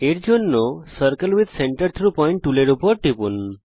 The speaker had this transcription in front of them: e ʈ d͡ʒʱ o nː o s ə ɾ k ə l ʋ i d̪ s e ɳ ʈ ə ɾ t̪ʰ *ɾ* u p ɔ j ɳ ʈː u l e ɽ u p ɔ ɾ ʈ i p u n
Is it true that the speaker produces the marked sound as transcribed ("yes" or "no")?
yes